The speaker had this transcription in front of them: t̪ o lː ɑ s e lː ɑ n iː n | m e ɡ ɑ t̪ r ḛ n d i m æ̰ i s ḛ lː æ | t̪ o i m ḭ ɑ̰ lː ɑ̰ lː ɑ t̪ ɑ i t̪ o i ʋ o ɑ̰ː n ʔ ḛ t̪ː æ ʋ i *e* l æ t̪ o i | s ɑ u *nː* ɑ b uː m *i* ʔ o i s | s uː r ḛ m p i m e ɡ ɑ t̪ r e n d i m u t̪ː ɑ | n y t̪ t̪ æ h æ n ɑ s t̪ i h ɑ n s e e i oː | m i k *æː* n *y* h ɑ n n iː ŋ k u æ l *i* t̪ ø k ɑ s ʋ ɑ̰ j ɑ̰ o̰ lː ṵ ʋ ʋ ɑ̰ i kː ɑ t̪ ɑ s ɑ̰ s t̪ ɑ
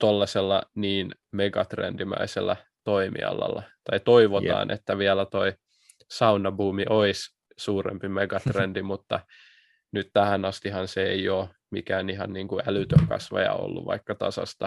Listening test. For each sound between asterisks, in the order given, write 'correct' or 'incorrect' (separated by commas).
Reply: incorrect, incorrect, correct, correct, incorrect, incorrect